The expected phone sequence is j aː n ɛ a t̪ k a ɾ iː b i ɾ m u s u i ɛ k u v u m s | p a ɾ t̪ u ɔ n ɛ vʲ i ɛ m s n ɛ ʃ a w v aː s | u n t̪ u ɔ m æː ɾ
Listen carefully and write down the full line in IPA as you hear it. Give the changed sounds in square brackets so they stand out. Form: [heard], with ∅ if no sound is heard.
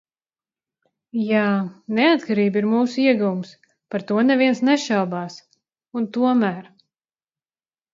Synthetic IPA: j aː n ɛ a t̪ k a ɾ iː b i ɾ m [uː] s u i ɛ [ɡ] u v u m s | p a ɾ t̪ u ɔ n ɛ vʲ i ɛ [n] s n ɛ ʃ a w [b] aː s | u n t̪ u ɔ m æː ɾ